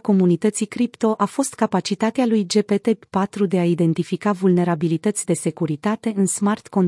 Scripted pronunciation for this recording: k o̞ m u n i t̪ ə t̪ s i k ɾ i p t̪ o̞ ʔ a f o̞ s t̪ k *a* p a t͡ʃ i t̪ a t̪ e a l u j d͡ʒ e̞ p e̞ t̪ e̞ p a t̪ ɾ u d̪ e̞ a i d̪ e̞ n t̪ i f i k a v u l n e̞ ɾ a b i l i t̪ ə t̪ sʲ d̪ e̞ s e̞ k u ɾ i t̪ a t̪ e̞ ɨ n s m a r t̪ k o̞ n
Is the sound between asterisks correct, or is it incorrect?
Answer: correct